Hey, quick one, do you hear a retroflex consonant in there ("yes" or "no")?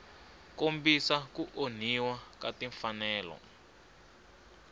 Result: no